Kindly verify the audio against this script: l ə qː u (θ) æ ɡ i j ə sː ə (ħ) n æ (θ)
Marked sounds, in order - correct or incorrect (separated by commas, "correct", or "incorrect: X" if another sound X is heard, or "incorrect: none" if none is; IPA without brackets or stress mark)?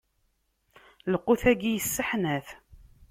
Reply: correct, correct, correct